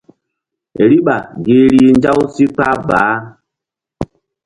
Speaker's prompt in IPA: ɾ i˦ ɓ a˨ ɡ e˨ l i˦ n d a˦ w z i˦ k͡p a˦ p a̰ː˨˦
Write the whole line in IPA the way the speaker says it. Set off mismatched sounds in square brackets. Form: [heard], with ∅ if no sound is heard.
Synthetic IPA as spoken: ɾ i˦ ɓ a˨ ɡ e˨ [ɾ] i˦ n [d͡ʒ] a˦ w [s] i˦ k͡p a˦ [b] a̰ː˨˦